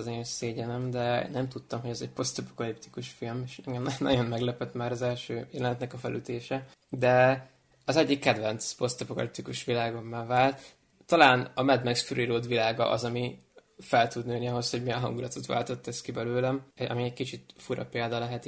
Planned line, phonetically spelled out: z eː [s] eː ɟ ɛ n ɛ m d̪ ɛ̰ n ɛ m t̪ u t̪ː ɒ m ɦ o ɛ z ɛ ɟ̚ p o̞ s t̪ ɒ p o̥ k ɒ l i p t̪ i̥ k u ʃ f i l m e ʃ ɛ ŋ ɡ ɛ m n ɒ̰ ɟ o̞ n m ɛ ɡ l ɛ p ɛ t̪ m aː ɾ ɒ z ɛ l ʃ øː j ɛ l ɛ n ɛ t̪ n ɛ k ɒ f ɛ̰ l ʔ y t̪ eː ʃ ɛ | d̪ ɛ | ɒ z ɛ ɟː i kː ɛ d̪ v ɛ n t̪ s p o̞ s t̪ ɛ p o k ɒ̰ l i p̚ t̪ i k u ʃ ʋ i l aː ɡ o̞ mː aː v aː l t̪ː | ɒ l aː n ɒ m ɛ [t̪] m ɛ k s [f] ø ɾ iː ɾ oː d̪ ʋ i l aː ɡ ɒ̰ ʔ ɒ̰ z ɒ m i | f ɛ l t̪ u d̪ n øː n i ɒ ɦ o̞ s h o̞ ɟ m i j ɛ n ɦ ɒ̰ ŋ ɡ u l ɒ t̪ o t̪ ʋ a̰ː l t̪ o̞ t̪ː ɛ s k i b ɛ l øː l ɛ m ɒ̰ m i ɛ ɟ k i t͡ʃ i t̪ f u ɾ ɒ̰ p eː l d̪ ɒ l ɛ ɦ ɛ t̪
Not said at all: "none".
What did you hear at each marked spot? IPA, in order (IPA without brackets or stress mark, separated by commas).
s, d̪, f